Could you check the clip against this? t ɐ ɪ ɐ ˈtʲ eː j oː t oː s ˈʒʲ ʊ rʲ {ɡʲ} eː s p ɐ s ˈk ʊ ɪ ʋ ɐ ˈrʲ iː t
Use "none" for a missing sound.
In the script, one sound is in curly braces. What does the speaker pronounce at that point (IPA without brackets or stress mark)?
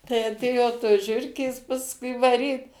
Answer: kʲ